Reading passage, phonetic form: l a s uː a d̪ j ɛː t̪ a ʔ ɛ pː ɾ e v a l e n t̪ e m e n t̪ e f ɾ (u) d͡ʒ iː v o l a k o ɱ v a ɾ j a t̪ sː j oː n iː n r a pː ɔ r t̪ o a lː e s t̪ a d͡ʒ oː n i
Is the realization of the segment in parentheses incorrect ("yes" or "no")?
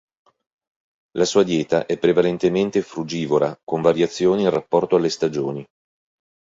no